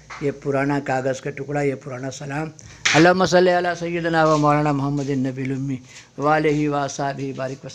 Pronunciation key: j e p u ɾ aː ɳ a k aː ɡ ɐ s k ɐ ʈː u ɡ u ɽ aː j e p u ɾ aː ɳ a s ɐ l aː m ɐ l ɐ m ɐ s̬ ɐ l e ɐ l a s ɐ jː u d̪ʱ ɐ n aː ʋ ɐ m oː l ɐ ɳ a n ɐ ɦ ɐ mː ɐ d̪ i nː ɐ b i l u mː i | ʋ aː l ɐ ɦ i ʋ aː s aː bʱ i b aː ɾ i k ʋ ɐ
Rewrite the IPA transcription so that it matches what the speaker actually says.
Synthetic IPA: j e p u ɾ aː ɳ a k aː ɡ ɐ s k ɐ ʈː u k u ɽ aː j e p u ɾ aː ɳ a s ɐ l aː m ɐ l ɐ m ɐ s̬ ɐ l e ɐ l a s ɐ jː u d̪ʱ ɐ n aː ʋ ɐ m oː l ɐ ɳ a m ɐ ɦ ɐ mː ɐ d̪ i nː ɐ b i l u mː i | ʋ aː l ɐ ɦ i ʋ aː s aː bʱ i b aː ɾ i k ʋ ɐ